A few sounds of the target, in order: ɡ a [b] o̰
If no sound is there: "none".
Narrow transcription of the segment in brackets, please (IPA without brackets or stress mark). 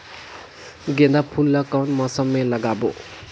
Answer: b